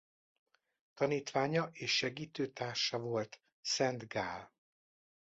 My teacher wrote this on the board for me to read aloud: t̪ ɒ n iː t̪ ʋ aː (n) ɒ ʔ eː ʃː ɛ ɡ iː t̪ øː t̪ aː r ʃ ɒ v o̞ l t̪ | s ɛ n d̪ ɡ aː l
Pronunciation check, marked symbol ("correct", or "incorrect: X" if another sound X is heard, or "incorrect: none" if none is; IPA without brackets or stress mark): incorrect: ɲ